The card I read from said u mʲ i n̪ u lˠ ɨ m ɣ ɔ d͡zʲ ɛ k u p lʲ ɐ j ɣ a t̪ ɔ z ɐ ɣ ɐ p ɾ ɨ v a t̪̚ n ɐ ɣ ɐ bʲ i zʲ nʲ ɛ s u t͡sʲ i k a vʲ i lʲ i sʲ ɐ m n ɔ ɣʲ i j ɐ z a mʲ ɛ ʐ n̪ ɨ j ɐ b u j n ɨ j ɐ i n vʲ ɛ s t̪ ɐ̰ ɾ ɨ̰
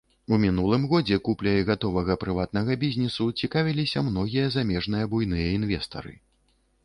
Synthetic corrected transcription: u mʲ i n̪ u lˠ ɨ m ɣ ɔ d͡zʲ ɛ k u p lʲ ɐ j ɣ a t̪ ɔ v ɐ ɣ ɐ p ɾ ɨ v a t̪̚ n ɐ ɣ ɐ bʲ i zʲ nʲ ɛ s u t͡sʲ i k a vʲ i lʲ i sʲ ɐ m n ɔ ɣʲ i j ɐ z a mʲ ɛ ʐ n̪ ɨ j ɐ b u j n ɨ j ɐ i n vʲ ɛ s t̪ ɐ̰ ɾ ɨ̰